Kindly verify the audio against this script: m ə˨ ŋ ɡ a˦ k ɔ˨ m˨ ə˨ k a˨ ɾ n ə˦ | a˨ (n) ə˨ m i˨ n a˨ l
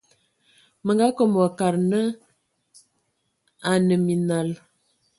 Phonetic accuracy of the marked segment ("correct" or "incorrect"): correct